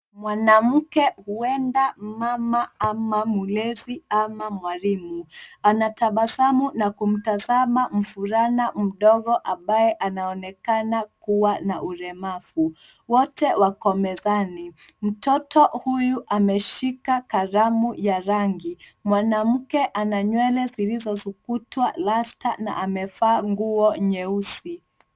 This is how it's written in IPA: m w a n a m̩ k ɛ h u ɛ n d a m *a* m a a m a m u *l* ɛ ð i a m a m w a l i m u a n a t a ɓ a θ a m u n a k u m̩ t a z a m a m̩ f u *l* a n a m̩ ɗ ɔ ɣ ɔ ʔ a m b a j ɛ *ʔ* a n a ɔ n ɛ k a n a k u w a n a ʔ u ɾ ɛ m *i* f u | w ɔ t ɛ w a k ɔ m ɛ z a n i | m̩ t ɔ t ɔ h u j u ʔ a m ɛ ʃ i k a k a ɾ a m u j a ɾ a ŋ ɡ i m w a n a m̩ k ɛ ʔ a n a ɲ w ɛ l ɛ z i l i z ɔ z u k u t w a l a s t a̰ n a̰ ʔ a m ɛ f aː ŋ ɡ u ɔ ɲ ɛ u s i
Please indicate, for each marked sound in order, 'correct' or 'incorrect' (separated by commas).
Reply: correct, correct, incorrect, correct, incorrect